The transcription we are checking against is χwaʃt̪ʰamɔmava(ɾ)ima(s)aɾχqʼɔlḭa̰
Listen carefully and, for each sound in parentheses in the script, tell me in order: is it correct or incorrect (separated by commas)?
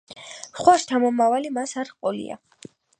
incorrect, correct